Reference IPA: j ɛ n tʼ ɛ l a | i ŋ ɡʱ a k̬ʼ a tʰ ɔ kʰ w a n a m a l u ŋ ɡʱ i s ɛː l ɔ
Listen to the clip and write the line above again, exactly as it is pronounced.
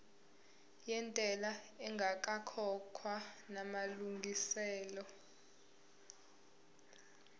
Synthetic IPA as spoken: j ɛ n tʼ ɛ l a | ɛ ŋ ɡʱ a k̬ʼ a kʰ ɔ kʰ w a n a m a l u ŋ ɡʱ i s ɛː l ɔ